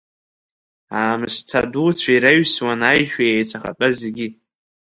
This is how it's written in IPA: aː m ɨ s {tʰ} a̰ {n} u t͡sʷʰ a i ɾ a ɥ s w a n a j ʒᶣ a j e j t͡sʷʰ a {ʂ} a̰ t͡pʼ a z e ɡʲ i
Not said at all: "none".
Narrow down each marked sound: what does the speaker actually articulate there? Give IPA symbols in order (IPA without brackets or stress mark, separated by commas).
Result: tʰ, d, χ